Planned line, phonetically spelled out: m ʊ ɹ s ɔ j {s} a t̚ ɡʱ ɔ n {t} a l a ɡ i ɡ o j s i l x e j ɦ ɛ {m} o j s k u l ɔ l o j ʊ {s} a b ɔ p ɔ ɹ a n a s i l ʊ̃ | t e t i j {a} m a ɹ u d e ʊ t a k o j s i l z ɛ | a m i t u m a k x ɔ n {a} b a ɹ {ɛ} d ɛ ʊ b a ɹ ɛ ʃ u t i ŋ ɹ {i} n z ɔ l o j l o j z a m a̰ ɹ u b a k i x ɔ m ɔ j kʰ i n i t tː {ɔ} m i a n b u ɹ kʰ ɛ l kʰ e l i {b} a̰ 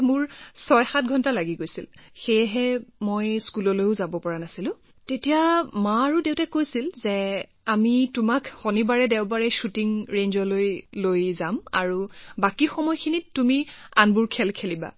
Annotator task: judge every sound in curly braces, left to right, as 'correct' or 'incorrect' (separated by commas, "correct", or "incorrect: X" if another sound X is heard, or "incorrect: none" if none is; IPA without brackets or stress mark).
incorrect: x, correct, correct, incorrect: z, correct, incorrect: i, correct, incorrect: e, incorrect: u, correct